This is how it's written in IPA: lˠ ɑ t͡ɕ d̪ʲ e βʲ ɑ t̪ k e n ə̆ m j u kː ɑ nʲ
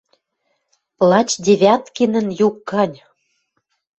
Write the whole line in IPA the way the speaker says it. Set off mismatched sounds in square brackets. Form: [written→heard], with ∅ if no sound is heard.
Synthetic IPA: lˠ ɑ t͡ɕ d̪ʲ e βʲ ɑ t̪ k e n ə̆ [m→n] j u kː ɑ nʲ